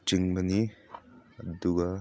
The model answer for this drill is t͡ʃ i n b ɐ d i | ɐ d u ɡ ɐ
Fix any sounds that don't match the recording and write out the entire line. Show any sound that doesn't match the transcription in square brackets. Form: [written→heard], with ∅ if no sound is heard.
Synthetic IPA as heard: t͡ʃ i [n→ŋ] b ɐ [d→n] i | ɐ d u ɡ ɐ